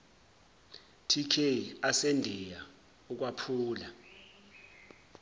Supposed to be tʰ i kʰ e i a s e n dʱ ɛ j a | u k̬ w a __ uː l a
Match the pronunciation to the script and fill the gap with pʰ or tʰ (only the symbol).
pʰ